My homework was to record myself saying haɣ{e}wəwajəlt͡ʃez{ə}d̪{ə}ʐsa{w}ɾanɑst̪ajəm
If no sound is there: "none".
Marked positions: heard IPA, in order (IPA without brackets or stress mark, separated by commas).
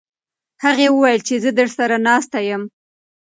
e, ə, ə, none